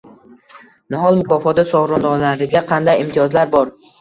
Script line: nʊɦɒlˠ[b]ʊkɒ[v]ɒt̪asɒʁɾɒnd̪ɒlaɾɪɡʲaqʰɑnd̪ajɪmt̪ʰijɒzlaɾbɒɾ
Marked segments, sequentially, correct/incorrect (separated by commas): incorrect, incorrect